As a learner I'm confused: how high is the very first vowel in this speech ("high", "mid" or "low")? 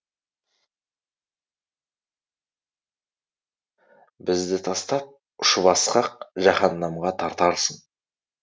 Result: high